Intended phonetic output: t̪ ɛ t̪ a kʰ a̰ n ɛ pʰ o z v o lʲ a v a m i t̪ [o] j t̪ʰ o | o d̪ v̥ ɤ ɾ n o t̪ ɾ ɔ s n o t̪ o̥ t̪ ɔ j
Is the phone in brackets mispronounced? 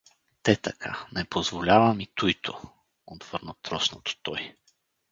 yes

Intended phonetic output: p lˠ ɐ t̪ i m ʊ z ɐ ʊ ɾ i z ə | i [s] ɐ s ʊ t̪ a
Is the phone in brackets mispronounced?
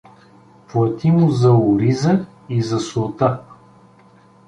yes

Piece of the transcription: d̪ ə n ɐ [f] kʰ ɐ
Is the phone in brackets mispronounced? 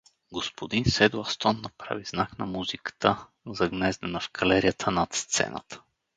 no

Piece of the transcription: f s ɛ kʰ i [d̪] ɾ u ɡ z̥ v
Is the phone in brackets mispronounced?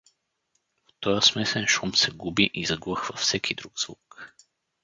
no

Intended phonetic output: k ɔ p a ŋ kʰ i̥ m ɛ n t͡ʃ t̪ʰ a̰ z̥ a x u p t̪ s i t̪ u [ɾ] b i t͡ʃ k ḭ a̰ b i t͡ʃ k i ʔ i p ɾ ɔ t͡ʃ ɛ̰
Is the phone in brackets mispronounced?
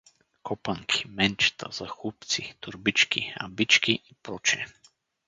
no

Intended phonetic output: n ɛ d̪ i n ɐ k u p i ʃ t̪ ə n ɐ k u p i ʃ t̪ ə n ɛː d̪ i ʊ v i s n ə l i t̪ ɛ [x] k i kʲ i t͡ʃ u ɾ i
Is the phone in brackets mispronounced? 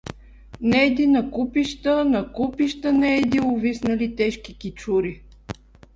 yes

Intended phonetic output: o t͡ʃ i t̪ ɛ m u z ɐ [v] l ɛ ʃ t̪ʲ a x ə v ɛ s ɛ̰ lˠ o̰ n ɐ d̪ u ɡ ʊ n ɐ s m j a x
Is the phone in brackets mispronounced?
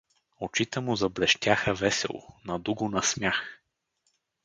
yes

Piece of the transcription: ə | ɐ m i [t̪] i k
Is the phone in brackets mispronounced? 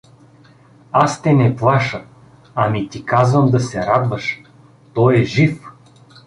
no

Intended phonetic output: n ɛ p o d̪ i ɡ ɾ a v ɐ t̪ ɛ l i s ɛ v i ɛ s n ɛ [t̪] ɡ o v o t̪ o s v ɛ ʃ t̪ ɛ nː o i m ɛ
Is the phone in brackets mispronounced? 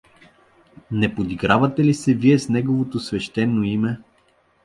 yes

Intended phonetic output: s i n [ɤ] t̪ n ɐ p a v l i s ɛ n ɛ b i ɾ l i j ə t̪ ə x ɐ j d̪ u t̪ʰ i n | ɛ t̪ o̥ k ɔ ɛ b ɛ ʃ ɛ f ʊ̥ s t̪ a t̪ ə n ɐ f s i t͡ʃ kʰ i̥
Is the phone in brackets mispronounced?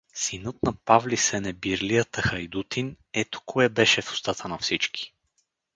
no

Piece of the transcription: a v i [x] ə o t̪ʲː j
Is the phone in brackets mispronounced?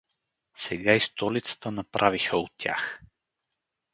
no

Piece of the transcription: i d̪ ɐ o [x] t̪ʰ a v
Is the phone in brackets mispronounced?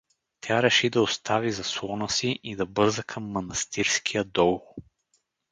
yes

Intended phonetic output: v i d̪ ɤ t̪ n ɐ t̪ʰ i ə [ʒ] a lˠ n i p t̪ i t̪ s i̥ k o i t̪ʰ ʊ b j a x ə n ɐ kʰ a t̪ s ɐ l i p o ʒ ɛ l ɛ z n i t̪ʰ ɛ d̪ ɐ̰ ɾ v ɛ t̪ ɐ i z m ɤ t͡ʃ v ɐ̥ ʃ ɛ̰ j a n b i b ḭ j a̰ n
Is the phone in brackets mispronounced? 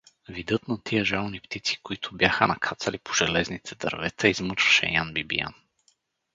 no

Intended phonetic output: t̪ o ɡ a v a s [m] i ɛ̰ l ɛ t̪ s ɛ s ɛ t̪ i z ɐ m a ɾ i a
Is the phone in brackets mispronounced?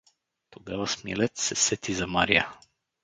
no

